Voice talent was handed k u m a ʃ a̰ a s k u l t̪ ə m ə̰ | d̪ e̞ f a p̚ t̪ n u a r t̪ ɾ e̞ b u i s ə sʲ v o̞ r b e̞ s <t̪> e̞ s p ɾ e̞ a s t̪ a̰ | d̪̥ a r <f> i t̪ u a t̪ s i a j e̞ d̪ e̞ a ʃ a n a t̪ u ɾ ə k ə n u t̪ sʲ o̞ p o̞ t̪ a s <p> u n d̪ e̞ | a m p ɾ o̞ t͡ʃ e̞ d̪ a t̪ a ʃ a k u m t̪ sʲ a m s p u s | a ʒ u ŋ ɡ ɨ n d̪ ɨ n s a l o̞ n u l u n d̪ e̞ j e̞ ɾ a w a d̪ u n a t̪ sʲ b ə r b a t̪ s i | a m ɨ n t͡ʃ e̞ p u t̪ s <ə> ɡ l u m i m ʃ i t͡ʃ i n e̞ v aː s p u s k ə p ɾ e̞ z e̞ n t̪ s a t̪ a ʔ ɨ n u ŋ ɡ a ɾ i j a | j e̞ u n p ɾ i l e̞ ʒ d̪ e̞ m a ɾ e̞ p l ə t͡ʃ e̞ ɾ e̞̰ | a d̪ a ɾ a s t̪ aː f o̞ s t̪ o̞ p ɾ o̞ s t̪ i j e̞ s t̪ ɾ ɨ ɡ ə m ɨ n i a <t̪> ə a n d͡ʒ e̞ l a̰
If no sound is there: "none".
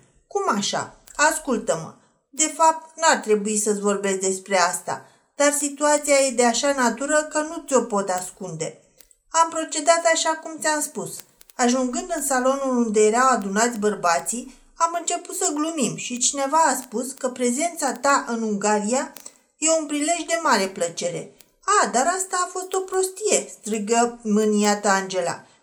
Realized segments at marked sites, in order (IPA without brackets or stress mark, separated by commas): d̪, s, k, ə, t̪